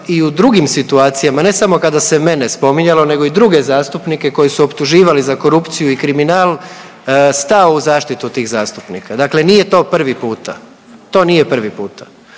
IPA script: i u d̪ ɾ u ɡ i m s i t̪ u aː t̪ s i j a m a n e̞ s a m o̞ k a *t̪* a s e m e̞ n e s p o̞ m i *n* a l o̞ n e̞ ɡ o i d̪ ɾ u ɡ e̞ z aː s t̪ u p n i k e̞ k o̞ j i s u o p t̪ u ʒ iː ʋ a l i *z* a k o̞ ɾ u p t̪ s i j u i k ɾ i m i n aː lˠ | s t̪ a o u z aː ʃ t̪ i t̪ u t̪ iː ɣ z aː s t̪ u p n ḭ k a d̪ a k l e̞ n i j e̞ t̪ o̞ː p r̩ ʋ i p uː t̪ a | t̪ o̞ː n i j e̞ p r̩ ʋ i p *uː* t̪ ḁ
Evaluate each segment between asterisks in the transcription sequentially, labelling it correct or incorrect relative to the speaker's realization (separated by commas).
incorrect, incorrect, correct, correct